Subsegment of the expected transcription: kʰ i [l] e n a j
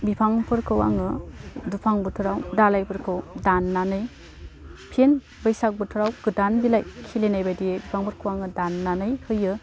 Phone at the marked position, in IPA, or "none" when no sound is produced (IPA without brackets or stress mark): l